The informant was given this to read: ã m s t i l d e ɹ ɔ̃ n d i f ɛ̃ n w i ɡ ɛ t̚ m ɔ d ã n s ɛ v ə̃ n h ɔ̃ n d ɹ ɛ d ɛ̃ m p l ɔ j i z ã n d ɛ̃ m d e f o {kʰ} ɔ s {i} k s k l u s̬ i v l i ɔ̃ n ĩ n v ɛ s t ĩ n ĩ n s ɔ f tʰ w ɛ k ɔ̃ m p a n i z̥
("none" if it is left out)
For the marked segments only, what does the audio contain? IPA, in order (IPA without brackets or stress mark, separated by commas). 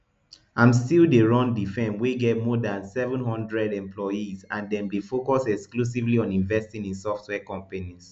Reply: k, ɛ